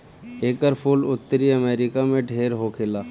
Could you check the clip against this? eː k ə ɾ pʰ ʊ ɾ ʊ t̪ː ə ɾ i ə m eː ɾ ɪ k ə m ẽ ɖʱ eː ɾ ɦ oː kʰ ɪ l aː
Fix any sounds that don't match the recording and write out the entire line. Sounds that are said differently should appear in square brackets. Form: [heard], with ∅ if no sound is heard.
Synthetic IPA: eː k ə ɾ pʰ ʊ [l] ʊ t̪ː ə ɾ i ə m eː ɾ ɪ k [a] m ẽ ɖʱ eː ɾ ɦ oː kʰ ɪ l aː